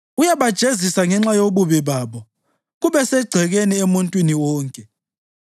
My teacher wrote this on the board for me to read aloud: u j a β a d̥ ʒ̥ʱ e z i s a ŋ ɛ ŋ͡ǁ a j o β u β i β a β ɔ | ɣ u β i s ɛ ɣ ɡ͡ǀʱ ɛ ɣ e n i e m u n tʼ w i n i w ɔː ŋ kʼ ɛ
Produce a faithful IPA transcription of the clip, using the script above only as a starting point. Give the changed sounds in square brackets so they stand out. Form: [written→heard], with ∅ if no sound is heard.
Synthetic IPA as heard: u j a β a d̥ ʒ̥ʱ e z i s a ŋ ɛ ŋ͡ǁ a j o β u β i β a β ɔ | ɣ u β [i→ɛ] s ɛ [ɣ→∅] ɡ͡ǀʱ ɛ ɣ e n i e m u n tʼ w i n i w ɔː ŋ kʼ ɛ